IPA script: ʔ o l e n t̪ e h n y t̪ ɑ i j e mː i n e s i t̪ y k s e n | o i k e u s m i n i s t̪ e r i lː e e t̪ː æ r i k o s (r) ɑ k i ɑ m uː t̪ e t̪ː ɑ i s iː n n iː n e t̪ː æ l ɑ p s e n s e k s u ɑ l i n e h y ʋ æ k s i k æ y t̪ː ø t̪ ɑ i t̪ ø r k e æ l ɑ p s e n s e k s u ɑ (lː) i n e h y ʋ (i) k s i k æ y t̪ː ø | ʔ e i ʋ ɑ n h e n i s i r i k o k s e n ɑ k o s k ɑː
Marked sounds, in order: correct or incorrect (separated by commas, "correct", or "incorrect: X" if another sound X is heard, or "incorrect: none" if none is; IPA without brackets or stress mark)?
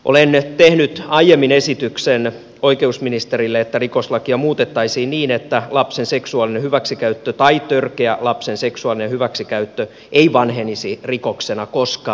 incorrect: l, incorrect: l, incorrect: æ